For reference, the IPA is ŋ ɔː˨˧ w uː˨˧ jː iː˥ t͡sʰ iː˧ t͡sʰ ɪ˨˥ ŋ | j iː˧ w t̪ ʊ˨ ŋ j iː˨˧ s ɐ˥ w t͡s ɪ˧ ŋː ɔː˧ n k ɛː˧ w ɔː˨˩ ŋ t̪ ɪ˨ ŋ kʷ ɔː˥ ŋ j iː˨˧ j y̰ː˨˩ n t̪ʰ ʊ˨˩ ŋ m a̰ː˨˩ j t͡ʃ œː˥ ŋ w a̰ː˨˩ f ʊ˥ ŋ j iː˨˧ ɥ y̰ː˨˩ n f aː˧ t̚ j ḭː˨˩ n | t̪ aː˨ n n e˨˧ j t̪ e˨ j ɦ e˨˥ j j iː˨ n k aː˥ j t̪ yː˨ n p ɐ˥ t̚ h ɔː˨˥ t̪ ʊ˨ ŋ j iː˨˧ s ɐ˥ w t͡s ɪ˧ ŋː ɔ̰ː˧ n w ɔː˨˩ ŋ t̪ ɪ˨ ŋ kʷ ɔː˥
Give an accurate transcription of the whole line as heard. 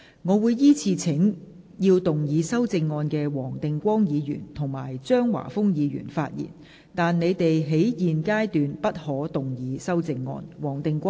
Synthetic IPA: ŋ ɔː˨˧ w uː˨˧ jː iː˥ t͡sʰ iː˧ t͡sʰ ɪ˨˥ ŋ | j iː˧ w t̪ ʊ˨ ŋ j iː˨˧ s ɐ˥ w t͡s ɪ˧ ŋː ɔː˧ n k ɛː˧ w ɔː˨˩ ŋ t̪ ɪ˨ ŋ kʷ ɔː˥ ŋ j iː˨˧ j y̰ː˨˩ n t̪ʰ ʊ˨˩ ŋ m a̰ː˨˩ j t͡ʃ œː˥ ŋ w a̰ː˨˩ f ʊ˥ ŋ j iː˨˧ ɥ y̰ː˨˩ n f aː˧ t̚ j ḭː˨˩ n | t̪ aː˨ n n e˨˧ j t̪ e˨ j ɦ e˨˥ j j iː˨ n k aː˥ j t̪ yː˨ n p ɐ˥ t̚ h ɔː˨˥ t̪ ʊ˨ ŋ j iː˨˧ s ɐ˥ w t͡s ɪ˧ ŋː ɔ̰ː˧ n w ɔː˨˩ ŋ t̪ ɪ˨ ŋ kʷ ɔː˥